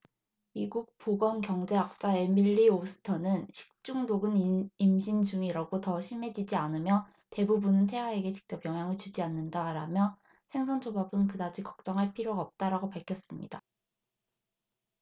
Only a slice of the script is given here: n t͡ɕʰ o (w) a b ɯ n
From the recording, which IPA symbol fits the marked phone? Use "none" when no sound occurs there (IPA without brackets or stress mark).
b